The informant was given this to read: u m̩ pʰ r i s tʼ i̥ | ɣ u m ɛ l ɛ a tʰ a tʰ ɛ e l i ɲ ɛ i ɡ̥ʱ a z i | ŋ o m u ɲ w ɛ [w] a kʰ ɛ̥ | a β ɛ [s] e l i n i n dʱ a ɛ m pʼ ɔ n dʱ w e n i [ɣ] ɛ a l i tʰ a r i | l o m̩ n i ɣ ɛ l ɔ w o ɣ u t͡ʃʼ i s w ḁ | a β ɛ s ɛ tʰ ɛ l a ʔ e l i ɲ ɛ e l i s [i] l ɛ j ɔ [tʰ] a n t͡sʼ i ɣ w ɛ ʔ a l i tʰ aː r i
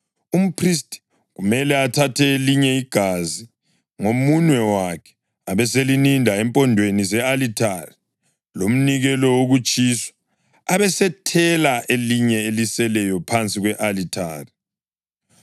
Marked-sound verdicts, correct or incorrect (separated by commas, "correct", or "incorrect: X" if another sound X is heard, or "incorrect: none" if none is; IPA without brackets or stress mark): correct, correct, incorrect: z, incorrect: ɛ, incorrect: pʰ